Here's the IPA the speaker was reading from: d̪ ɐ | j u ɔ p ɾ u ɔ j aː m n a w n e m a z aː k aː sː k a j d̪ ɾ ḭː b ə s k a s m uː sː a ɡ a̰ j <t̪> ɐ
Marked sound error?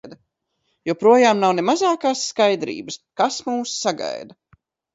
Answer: yes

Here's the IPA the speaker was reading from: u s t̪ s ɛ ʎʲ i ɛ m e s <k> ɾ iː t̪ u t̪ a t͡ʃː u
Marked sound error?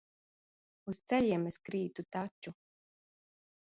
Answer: no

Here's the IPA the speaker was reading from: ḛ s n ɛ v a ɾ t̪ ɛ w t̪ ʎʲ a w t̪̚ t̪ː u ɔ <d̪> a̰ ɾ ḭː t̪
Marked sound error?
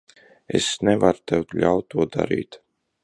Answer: no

